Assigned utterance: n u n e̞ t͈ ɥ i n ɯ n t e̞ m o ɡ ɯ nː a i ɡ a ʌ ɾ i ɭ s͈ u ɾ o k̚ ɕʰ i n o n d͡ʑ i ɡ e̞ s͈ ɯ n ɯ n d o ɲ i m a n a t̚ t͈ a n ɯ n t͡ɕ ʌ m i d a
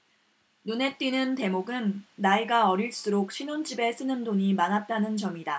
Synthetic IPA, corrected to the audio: n u n e̞ t͈ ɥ i n ɯ n t e̞ m o ɡ ɯ nː a i ɡ a ʌ ɾ i ɭ s͈ u ɾ o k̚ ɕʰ i n o n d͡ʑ i b e̞ s͈ ɯ n ɯ n d o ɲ i m a n a t̚ t͈ a n ɯ n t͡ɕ ʌ m i d a